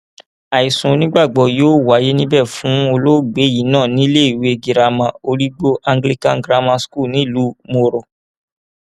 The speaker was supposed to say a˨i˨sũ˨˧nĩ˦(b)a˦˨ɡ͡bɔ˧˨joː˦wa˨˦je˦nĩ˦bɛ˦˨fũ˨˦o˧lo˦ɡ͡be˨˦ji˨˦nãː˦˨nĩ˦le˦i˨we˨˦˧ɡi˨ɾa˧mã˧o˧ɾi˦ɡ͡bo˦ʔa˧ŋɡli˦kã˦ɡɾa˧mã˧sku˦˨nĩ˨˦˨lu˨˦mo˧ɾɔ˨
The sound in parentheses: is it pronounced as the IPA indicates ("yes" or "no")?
no